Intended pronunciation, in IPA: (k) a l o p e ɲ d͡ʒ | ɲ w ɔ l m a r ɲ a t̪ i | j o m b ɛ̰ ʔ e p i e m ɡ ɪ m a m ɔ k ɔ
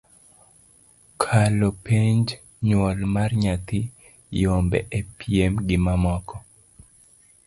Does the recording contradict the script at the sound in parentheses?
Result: yes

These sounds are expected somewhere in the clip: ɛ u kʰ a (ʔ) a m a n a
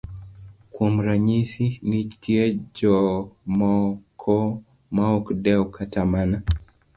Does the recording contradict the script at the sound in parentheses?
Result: yes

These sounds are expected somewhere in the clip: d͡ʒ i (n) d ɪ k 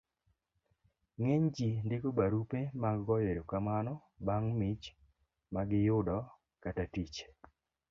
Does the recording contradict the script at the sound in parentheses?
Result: no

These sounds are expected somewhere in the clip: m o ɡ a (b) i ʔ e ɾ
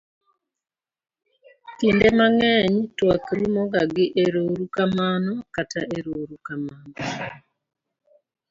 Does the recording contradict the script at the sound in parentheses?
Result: yes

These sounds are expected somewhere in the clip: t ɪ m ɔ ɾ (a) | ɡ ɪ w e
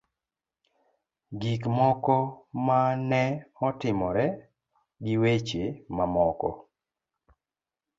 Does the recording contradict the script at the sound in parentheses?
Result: yes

